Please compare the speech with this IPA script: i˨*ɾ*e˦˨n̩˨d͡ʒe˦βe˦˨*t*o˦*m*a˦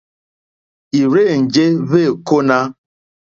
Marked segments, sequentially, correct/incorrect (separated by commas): correct, incorrect, incorrect